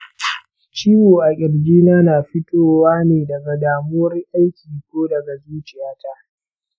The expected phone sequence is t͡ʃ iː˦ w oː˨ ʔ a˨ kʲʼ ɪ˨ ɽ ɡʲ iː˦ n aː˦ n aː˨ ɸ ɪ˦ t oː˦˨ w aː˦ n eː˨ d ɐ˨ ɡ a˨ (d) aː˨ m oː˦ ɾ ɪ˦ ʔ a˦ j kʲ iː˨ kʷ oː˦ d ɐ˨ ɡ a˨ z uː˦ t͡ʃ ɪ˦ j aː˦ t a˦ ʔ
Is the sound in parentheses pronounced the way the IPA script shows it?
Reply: yes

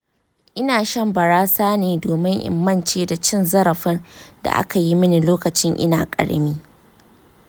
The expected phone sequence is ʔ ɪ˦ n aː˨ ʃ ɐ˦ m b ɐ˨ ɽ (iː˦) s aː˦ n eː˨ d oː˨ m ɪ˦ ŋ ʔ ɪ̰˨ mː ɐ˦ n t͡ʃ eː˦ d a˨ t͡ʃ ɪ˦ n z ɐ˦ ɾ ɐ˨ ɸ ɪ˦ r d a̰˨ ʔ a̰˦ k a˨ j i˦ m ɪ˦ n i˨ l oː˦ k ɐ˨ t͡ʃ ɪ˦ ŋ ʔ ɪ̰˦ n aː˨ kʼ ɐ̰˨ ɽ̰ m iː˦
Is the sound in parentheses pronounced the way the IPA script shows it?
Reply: no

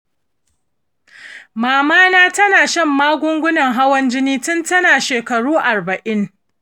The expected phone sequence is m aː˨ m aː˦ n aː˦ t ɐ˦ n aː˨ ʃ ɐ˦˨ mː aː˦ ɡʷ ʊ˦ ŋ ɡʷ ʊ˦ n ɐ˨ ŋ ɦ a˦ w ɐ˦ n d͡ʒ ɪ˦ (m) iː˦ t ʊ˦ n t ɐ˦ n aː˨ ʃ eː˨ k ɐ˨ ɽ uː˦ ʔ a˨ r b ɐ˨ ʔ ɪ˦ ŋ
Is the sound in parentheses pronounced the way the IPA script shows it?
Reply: no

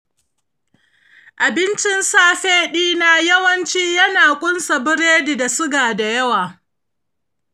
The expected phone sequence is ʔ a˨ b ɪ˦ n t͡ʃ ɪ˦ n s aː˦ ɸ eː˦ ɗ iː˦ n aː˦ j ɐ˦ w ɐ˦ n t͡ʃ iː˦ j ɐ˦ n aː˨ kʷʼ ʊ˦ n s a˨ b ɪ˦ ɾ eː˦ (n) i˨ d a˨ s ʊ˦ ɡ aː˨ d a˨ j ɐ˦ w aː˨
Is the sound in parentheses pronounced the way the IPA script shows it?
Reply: no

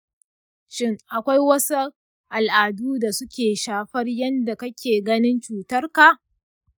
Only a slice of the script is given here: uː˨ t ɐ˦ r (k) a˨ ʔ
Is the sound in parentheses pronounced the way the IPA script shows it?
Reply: yes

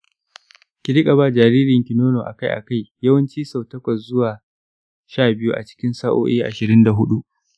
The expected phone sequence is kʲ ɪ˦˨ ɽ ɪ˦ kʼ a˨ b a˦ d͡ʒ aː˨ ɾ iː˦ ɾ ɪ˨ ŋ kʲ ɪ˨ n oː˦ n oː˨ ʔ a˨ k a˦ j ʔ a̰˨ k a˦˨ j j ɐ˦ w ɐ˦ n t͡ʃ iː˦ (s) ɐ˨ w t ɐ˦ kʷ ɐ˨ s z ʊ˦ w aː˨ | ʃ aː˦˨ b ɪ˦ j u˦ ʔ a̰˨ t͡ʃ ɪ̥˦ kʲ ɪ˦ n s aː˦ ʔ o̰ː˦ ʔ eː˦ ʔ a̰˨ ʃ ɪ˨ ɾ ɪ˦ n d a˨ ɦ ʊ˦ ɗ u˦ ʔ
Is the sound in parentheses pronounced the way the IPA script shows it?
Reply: yes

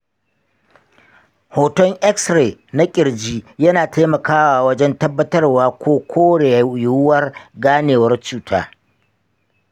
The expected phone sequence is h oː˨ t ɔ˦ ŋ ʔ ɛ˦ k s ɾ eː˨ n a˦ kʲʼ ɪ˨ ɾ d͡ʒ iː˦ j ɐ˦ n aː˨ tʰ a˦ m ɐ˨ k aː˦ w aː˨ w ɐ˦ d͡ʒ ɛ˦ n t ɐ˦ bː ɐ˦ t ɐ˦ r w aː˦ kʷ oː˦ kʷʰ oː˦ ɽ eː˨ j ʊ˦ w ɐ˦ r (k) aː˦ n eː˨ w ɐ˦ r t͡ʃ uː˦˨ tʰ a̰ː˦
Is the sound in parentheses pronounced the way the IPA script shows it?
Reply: no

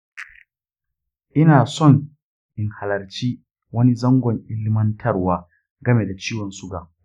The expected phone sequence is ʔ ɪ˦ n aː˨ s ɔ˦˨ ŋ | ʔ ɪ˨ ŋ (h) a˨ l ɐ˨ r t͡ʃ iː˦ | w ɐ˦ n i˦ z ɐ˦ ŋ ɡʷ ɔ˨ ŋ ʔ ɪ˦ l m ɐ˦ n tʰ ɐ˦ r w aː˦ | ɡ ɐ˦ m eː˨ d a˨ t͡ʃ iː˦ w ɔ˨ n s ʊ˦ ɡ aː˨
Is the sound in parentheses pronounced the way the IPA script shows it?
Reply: yes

